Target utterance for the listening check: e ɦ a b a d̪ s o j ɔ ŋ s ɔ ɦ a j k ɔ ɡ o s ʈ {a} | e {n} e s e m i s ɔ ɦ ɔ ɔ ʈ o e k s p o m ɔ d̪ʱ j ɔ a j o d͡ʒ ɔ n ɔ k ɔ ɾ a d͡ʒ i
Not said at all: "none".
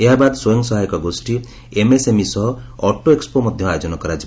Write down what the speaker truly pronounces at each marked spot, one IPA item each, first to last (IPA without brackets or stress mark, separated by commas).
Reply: i, m